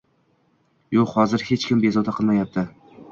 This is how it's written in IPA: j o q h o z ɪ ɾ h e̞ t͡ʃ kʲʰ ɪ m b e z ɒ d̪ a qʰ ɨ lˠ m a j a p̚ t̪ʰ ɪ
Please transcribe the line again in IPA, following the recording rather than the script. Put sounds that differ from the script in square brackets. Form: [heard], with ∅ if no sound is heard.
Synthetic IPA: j o q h [ɒ] z ɪ ɾ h e̞ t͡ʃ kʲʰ ɪ m b e z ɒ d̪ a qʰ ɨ lˠ m a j a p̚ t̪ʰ ɪ